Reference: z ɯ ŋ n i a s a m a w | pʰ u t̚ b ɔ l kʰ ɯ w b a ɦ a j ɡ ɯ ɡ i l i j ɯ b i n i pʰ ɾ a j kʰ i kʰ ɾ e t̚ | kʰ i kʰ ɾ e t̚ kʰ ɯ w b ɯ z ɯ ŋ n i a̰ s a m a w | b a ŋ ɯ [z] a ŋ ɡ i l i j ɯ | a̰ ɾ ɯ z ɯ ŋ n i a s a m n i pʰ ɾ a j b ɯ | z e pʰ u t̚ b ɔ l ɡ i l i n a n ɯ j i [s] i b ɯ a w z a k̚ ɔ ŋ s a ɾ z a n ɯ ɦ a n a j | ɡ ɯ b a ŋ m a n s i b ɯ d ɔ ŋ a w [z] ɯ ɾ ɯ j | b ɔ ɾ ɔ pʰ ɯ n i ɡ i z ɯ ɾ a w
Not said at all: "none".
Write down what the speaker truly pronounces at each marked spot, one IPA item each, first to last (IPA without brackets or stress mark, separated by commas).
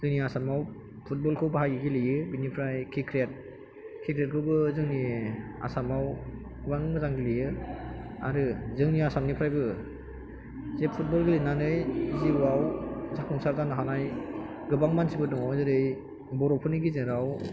z, z, z